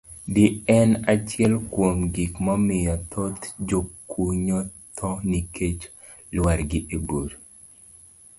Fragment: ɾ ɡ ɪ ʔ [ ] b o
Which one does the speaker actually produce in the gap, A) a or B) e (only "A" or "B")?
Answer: B